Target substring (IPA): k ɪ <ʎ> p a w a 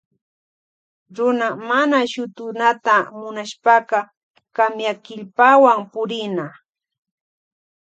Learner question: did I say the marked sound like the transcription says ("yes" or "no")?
yes